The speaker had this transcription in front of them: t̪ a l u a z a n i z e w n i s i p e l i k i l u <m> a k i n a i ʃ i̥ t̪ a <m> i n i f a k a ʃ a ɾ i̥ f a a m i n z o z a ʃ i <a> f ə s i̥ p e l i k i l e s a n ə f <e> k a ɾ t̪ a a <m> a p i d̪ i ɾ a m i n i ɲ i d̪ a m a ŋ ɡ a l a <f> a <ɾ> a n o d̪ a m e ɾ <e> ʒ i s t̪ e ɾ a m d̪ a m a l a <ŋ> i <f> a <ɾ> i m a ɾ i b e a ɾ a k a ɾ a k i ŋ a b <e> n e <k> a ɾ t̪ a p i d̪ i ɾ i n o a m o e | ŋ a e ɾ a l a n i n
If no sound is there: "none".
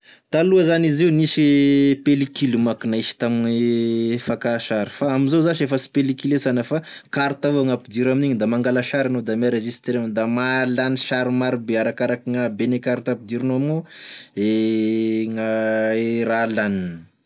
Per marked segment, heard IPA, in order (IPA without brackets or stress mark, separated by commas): m, m, e, a, ŋ, ʃ, ɾ, e, n, ʃ, ɾ, e, k